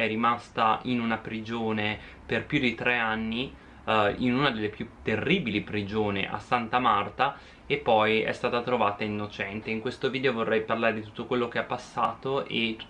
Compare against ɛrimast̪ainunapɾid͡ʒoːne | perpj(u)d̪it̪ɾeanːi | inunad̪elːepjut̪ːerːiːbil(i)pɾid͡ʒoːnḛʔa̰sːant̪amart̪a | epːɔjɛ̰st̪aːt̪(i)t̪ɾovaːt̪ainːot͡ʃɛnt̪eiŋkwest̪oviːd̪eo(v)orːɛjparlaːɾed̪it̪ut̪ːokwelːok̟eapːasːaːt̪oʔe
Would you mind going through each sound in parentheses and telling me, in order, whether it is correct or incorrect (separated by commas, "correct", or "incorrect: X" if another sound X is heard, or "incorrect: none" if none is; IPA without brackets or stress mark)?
correct, correct, incorrect: a, correct